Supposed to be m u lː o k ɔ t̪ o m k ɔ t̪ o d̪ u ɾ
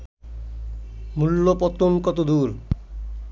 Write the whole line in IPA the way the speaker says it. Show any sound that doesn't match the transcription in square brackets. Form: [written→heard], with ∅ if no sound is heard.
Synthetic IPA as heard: m u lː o [k→p] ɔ t̪ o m k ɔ t̪ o d̪ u ɾ